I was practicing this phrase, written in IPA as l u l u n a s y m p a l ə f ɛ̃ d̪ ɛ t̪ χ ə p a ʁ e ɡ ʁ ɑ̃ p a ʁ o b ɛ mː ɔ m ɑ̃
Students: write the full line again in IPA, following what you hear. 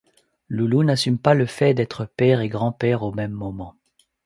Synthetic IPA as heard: l u l u n a s y m p a l ə f ɛ d̪ ɛ t̪ χ ə p ɛ ʁ e ɡ ʁ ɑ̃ p ɛ ʁ o m ɛ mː ɔ m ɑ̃